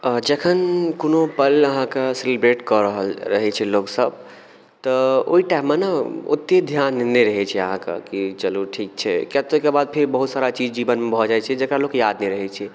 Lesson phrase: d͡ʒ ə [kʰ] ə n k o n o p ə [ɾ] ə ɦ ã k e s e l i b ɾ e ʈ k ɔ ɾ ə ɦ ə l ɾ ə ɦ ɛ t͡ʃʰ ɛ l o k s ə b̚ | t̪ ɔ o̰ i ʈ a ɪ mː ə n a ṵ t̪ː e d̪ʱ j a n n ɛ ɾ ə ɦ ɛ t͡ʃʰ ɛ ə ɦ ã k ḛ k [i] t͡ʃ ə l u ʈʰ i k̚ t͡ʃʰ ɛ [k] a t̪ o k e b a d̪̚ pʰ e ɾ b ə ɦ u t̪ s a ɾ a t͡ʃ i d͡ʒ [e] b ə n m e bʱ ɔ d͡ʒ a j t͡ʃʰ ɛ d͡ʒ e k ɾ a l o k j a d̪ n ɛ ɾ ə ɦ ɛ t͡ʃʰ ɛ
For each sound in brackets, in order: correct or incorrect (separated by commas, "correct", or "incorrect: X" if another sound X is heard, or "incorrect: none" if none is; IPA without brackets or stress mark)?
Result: correct, incorrect: l, correct, correct, incorrect: i